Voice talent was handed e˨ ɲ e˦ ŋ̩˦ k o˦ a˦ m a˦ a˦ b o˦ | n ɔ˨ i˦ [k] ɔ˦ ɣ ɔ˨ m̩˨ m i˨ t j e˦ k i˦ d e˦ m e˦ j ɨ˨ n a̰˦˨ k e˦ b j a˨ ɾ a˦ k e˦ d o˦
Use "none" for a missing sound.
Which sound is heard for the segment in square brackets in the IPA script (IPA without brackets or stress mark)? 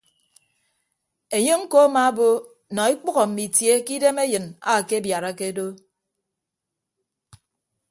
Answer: k͡p